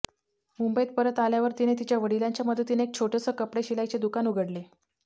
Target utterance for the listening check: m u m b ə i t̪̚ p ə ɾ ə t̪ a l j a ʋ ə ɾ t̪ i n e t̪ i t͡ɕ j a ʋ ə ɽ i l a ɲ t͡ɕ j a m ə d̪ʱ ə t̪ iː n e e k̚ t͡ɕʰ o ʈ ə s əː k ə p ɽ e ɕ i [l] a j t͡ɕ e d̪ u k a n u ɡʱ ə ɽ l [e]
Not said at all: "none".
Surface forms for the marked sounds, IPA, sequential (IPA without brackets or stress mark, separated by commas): l, e